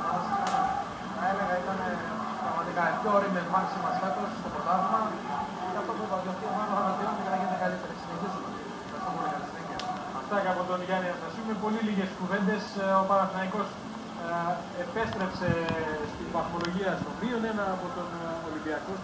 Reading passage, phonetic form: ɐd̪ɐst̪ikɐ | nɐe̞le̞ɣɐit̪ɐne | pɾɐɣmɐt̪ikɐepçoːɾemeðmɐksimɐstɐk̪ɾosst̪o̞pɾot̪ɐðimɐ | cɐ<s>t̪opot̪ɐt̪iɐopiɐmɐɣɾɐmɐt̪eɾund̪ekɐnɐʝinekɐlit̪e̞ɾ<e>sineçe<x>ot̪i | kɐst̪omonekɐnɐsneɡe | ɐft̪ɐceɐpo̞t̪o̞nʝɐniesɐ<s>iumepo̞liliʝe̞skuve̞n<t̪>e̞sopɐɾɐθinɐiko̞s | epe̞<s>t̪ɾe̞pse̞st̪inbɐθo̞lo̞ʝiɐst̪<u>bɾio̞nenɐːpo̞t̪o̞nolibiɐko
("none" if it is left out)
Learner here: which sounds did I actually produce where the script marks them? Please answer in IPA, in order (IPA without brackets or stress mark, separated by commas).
f, e, s, s, d̪, s, o